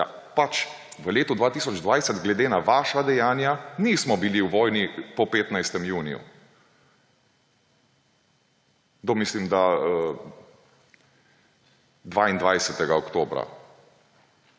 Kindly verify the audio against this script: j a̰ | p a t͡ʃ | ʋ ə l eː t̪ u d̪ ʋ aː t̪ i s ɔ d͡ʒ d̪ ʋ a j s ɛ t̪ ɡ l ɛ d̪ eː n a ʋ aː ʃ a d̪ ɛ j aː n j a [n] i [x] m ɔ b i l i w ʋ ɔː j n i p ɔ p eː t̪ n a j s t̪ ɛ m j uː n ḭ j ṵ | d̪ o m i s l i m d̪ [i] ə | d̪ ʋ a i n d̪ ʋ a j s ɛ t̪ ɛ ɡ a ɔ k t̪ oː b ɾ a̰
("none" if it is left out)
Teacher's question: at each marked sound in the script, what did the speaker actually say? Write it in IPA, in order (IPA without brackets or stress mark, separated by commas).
n, s, a